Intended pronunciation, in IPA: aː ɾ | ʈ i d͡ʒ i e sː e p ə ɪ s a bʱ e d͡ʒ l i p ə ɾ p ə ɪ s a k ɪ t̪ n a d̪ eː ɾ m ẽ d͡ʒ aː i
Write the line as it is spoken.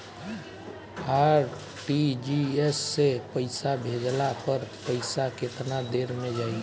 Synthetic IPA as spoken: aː ɾ | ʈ i d͡ʒ i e sː e p ə ɪ s a bʱ e d͡ʒ l a p ə ɾ p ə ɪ s a k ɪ t̪ n a d̪ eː ɾ m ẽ d͡ʒ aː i